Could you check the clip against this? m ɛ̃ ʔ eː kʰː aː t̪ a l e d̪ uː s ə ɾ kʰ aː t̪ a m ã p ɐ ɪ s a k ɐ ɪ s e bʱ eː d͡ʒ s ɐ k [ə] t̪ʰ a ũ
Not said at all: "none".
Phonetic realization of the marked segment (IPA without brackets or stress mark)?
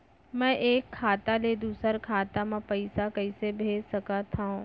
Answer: a